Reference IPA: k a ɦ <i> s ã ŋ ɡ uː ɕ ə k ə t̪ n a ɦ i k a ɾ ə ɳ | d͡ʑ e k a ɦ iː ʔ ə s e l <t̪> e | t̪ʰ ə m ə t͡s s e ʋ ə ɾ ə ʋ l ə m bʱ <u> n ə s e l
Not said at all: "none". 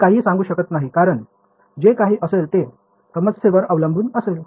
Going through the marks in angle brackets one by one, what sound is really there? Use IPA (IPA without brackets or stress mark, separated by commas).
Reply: iː, t̪, uː